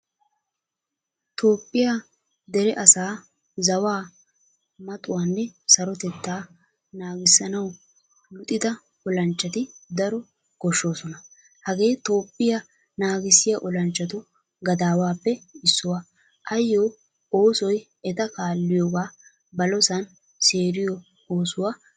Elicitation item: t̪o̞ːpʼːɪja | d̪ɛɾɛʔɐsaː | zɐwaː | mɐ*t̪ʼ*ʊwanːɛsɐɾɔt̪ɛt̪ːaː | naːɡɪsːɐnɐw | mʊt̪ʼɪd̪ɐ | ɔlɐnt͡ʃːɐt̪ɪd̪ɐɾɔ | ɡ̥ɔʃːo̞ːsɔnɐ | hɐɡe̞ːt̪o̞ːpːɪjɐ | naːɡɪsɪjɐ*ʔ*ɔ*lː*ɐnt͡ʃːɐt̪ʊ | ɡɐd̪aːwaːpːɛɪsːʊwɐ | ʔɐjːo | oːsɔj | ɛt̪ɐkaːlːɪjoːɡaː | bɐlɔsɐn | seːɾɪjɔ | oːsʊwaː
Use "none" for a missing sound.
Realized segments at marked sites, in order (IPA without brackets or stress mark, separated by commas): t̪ʼ, ʔ, l